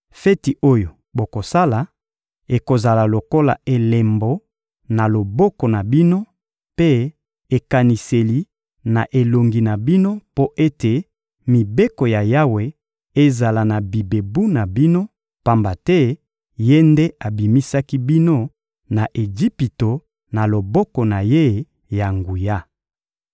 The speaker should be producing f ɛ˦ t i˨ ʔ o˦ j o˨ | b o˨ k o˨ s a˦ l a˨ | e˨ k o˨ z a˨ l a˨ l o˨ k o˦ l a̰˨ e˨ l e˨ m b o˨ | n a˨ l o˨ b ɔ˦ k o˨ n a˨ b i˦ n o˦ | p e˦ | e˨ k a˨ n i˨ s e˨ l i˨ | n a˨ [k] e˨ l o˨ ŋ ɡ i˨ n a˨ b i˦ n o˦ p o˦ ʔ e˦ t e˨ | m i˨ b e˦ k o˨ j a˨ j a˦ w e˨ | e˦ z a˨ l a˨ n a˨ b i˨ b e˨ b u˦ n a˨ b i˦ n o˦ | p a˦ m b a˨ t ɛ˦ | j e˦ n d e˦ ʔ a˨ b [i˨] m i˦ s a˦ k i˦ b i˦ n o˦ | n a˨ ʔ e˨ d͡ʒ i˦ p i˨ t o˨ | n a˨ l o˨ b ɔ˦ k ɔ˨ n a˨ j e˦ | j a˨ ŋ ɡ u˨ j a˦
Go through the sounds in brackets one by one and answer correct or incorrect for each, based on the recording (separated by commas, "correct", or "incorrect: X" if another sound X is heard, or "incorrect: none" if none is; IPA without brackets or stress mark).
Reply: incorrect: ʔ, correct